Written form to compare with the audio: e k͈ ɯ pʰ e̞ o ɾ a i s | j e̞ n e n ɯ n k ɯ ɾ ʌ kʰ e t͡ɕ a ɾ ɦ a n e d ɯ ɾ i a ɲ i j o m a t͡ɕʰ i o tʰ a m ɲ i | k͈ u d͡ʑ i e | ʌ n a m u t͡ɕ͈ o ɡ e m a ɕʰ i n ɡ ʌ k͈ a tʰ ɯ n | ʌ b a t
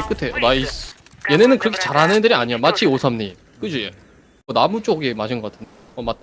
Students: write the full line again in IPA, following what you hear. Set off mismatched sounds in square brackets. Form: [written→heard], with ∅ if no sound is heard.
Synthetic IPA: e k͈ ɯ [pʰ→tʰ] e̞ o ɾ a i s | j e̞ n e n ɯ n k ɯ ɾ ʌ kʰ e t͡ɕ a ɾ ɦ a n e d ɯ ɾ i a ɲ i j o m a t͡ɕʰ i o [tʰ→sʰ] a m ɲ i | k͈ [u→ɯ] d͡ʑ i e | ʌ n a m u t͡ɕ͈ o ɡ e m a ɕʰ i n ɡ ʌ k͈ a tʰ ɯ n | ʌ [b→m] a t